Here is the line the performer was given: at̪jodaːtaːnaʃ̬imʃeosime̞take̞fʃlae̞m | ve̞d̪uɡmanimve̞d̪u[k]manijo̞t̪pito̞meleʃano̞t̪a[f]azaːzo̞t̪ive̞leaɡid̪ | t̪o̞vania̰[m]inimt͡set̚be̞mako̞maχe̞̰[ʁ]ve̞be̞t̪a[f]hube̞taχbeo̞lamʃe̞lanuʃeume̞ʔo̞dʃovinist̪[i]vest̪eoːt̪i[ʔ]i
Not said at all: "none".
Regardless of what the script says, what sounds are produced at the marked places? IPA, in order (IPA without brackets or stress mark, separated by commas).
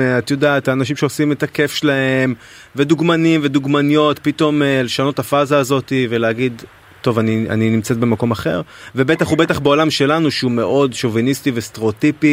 ɡ, f, n, ʁ, χ, i, p